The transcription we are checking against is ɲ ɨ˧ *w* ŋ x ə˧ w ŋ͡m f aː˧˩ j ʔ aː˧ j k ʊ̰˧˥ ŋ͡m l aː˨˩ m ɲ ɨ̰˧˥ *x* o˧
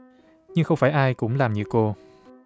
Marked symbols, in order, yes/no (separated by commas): no, no